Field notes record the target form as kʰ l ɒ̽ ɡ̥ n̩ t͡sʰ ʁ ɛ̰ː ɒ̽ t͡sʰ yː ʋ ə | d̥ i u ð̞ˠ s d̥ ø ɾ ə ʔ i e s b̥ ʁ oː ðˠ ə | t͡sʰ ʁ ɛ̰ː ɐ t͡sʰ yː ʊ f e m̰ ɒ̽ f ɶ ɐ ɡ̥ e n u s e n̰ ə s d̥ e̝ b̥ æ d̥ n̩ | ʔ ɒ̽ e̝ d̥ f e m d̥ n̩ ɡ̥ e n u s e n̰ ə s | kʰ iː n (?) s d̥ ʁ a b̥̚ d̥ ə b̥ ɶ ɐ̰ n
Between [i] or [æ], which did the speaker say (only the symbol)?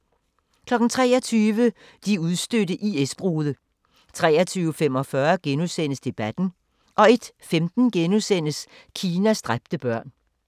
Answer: æ